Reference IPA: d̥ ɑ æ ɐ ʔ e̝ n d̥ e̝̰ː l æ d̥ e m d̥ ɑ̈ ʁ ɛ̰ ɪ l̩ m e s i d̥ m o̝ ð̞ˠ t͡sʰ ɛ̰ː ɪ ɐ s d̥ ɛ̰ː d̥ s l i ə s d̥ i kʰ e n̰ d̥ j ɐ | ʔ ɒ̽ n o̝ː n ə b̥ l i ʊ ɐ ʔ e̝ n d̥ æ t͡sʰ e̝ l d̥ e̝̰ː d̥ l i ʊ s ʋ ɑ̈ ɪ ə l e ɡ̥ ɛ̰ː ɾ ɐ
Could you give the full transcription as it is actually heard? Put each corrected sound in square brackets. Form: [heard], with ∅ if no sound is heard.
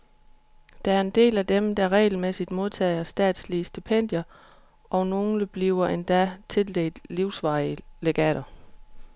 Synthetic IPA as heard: d̥ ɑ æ ɐ [∅] e̝ n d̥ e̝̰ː l æ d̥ e m d̥ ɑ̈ ʁ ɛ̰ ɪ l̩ m e s i d̥ m o̝ ð̞ˠ t͡sʰ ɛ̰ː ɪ ɐ s d̥ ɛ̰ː d̥ s l i ə s d̥ i [pʰ] e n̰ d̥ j ɐ | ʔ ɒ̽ n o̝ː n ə b̥ l i ʊ ɐ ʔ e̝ n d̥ æ t͡sʰ e̝ l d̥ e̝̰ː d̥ l i ʊ s ʋ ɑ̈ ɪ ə l e ɡ̥ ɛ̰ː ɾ ɐ